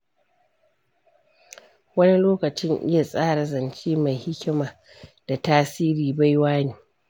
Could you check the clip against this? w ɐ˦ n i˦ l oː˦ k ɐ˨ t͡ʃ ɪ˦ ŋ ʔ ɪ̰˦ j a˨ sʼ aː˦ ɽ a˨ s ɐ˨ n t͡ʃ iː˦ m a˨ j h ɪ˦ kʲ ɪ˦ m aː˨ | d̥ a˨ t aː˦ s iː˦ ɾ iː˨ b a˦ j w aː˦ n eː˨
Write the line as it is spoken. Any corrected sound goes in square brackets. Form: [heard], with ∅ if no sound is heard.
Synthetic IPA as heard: w ɐ˦ n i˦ l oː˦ k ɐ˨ t͡ʃ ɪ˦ ŋ ʔ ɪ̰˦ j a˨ sʼ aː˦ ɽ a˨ [z] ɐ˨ n t͡ʃ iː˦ m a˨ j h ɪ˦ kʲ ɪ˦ m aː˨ | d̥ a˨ t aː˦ s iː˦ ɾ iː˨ b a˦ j w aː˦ n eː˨